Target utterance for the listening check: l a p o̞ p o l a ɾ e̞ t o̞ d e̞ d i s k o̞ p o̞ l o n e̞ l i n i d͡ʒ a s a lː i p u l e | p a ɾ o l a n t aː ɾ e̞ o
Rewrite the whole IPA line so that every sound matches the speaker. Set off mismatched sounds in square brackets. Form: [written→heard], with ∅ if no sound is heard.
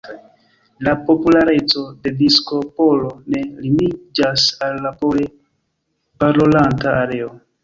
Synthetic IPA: l a p o̞ p [o→u] l a ɾ e̞ [t→t͡s] o̞ d e̞ d i s k o̞ p o̞ l o n e̞ l i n i d͡ʒ a s a lː [i→a] p [u→o] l e | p a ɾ o l a n t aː ɾ e̞ o